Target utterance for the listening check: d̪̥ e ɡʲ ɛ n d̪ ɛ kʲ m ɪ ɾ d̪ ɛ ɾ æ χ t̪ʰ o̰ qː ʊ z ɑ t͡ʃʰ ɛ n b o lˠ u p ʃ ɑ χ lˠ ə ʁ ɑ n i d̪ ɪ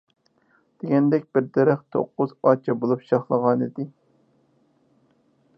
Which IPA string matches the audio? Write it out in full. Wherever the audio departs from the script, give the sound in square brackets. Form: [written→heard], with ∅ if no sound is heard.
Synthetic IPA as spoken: d̪̥ e ɡʲ ɛ n d̪ ɛ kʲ [m→b] ɪ ɾ d̪ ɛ ɾ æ χ t̪ʰ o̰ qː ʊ z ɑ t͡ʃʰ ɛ [n→∅] b o lˠ u p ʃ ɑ χ lˠ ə ʁ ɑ n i d̪ ɪ